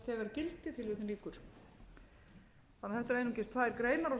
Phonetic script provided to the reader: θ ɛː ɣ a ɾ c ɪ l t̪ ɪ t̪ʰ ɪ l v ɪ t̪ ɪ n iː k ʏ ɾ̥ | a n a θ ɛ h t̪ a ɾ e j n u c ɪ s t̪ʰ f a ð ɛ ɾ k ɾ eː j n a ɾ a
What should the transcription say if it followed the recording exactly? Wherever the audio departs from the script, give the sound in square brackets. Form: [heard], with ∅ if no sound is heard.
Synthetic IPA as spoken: θ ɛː ɣ a ɾ c ɪ l t̪ ɪ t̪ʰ ɪ l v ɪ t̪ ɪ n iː k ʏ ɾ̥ | a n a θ ɛ h t̪ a ɾ e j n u c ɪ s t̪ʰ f a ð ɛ ɾ k ɾ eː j n a ɾ a